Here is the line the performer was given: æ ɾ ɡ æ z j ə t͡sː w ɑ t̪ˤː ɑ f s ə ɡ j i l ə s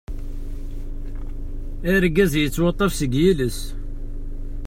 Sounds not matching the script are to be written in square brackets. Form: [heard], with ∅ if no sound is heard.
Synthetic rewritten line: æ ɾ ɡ æ z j ə t͡sː w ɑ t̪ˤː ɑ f s ə ɡ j i l ə s